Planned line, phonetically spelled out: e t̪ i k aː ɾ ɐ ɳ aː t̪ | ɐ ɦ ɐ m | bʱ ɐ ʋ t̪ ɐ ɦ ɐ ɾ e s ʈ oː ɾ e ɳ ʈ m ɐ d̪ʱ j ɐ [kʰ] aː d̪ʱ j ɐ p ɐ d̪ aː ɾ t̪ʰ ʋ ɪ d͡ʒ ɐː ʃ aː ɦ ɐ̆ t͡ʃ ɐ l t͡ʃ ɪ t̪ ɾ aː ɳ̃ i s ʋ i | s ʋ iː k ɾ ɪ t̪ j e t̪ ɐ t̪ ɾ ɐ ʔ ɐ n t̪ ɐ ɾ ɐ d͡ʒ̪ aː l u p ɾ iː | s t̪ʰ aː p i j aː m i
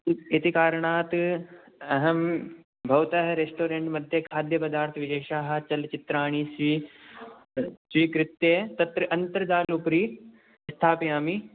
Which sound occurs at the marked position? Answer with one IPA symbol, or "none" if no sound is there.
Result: kʰ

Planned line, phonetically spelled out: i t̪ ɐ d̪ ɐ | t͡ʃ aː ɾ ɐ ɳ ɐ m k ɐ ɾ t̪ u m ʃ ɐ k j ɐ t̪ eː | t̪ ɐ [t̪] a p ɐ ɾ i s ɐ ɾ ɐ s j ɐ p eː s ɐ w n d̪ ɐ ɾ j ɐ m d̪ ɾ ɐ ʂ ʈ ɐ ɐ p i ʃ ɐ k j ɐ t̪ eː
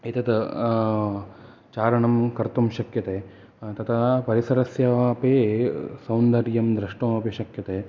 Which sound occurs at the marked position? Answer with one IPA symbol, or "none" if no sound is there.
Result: t̪ʰ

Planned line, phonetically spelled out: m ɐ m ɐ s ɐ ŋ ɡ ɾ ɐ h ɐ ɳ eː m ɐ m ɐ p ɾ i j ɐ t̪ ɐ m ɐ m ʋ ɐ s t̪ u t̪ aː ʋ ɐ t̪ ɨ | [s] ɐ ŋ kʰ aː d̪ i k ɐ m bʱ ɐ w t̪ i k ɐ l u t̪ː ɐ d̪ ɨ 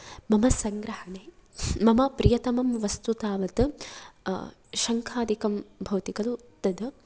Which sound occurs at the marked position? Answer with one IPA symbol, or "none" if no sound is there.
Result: ʃ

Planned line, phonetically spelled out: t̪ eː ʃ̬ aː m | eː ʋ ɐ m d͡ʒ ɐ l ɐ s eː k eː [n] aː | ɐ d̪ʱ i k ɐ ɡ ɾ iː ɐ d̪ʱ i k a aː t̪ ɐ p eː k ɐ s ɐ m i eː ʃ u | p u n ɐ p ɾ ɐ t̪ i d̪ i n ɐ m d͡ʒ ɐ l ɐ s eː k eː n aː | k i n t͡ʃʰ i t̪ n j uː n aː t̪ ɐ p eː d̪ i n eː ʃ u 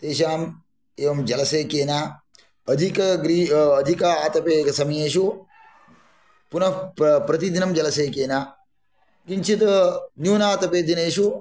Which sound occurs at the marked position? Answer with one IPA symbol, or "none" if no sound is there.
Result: n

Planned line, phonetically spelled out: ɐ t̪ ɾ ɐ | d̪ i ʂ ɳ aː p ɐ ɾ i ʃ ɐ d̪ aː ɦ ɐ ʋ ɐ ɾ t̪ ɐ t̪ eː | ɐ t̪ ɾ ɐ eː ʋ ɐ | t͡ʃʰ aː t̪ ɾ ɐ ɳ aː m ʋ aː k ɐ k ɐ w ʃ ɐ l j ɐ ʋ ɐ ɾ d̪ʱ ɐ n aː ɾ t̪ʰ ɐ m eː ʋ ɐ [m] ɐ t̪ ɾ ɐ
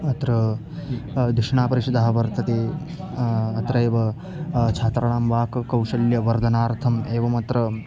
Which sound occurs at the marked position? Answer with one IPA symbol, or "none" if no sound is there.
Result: m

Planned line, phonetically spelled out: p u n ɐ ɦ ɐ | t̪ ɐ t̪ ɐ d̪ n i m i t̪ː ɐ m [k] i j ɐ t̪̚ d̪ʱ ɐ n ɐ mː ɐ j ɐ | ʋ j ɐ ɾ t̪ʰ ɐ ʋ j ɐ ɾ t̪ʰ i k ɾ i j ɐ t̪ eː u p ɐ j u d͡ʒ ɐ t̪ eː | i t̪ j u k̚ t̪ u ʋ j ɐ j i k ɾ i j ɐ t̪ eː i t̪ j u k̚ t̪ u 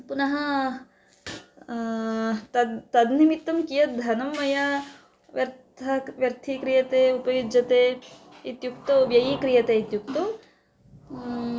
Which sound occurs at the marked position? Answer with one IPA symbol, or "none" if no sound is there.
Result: k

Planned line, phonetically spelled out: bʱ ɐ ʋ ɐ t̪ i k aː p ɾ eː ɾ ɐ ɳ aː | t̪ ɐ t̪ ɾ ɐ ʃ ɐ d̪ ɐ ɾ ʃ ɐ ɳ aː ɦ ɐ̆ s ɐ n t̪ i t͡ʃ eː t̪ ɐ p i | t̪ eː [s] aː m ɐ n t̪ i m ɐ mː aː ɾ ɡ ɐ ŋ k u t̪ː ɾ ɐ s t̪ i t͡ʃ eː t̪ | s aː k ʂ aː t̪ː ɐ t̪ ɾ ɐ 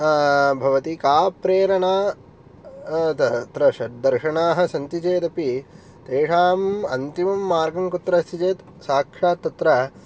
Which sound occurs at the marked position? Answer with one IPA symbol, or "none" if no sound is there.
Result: ʂ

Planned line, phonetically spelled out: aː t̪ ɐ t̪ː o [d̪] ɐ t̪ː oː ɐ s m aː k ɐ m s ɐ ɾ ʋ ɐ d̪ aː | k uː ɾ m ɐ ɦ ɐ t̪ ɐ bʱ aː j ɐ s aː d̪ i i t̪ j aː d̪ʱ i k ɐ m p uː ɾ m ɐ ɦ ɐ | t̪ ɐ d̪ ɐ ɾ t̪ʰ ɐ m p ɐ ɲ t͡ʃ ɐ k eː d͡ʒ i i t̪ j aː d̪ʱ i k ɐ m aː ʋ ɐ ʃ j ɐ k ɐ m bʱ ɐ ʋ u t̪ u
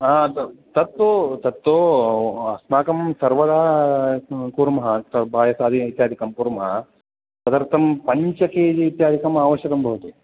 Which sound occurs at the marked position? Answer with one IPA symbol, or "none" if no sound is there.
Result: t̪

